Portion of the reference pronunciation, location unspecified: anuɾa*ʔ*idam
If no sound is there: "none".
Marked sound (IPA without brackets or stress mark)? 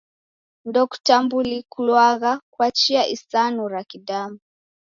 k